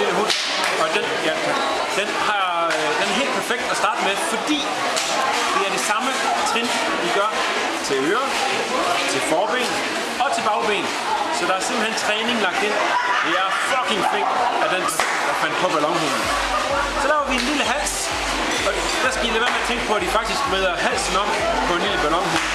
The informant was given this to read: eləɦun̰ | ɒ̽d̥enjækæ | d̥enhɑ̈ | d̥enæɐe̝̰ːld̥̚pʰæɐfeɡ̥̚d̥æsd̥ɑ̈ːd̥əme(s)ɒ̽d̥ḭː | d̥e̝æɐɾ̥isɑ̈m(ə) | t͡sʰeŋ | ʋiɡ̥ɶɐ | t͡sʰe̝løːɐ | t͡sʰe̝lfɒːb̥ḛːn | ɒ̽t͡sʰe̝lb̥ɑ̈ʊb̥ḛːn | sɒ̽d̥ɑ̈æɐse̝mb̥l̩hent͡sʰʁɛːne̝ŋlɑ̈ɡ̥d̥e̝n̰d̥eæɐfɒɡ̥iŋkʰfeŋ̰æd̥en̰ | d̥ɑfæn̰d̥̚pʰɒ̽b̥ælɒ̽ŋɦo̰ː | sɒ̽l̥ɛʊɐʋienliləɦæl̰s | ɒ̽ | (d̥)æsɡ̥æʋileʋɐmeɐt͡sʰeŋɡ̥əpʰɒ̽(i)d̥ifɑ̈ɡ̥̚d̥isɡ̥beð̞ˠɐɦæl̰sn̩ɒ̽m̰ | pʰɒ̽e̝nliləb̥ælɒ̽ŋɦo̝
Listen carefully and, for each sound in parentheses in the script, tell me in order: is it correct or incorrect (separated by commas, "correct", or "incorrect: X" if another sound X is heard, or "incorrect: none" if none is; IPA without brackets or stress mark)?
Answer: incorrect: f, correct, correct, incorrect: æ